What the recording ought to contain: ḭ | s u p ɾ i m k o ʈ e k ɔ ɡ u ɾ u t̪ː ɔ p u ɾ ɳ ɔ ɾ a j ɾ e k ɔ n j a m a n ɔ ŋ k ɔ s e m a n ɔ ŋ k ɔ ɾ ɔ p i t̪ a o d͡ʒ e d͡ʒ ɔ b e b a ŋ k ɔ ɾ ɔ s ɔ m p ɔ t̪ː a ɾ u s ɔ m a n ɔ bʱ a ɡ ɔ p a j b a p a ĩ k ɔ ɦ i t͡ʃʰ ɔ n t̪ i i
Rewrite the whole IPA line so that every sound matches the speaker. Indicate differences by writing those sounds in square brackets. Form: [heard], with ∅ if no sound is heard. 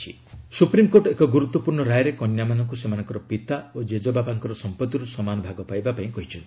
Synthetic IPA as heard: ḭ | s u p ɾ i m k o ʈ e k ɔ ɡ u ɾ u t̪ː ɔ p u ɾ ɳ ɔ ɾ a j ɾ e k ɔ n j a m a n ɔ ŋ k [u] s e m a n ɔ ŋ k ɔ ɾ ɔ p i t̪ a o d͡ʒ e d͡ʒ ɔ b [a] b a ŋ k ɔ ɾ ɔ s ɔ m p ɔ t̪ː [i] ɾ u s ɔ m a n ɔ bʱ a ɡ ɔ p a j b a p a ĩ k ɔ ɦ i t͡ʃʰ ɔ n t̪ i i